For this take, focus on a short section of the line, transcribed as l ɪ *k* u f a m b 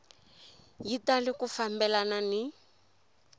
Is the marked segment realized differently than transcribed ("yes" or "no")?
no